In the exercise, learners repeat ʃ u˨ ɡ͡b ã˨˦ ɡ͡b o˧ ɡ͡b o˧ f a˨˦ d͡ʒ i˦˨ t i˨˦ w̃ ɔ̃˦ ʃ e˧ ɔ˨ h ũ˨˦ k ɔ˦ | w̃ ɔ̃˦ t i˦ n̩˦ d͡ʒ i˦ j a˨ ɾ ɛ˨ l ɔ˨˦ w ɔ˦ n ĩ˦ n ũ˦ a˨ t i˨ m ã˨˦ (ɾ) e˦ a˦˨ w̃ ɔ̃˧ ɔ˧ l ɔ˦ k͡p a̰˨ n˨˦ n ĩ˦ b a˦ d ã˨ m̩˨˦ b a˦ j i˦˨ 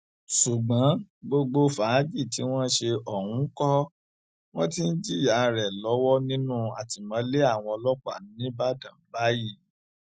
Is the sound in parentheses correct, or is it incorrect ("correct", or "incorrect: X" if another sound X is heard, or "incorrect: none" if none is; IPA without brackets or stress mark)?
incorrect: l